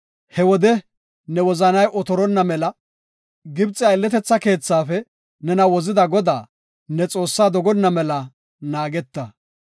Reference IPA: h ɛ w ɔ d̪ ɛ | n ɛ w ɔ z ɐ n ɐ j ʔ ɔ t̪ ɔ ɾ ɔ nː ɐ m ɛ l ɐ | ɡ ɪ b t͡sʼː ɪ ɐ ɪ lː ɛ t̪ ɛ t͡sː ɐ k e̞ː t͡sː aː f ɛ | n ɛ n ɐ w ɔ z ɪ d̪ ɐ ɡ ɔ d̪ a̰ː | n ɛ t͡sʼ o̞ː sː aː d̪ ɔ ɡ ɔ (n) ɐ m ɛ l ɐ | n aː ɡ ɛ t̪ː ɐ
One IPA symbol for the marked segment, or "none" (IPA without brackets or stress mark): nː